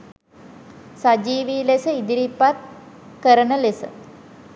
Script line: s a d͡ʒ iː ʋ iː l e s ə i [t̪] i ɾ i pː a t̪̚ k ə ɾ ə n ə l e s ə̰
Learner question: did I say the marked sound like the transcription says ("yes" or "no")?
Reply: no